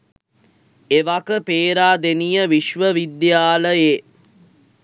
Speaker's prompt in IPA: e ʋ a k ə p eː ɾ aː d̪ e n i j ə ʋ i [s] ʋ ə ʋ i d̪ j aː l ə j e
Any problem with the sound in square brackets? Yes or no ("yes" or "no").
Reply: yes